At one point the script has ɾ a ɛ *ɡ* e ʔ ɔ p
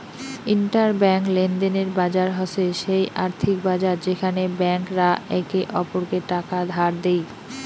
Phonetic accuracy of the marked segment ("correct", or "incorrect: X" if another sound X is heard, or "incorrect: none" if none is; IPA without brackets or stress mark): incorrect: k